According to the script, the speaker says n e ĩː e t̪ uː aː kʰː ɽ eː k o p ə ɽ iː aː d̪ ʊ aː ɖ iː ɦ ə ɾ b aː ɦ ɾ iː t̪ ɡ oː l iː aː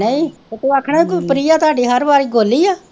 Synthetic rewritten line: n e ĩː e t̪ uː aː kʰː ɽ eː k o p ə ɾ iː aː t̪ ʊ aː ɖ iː ɦ ə ɾ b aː ɾ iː ɡ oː l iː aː